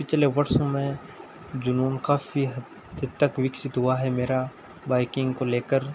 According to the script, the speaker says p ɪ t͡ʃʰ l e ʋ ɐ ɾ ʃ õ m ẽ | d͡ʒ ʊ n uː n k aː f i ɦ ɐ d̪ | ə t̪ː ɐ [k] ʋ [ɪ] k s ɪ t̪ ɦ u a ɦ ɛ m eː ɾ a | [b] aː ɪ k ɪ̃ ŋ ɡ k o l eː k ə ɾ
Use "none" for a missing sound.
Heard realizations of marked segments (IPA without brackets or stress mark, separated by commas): k, ɪ, b